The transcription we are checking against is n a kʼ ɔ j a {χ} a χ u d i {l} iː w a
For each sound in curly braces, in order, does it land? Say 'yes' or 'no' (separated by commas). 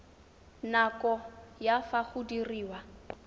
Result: no, no